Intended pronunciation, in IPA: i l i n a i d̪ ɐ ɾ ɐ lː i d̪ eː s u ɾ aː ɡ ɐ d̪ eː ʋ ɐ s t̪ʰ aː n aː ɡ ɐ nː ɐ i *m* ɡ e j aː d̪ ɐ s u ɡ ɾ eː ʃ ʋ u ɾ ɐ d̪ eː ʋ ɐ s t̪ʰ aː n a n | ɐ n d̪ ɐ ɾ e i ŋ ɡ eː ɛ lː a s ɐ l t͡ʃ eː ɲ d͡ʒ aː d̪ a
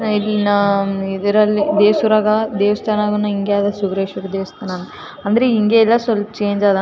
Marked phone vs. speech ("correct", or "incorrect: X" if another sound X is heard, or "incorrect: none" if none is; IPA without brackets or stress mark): incorrect: ŋ